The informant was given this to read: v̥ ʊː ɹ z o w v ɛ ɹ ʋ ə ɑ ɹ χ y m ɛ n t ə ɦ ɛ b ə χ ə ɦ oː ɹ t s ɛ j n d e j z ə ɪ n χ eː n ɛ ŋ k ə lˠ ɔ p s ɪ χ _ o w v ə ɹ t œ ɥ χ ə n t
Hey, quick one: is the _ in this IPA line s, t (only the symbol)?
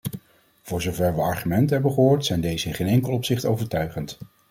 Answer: t